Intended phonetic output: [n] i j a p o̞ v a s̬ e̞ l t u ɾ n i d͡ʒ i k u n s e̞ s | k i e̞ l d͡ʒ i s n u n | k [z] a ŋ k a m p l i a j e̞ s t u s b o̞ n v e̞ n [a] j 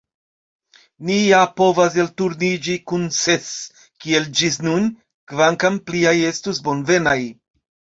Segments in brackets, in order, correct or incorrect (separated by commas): correct, incorrect, correct